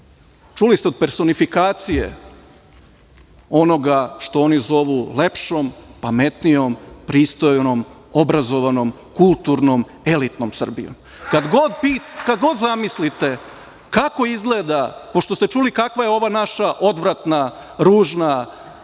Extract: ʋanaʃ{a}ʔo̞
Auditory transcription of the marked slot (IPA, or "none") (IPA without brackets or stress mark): a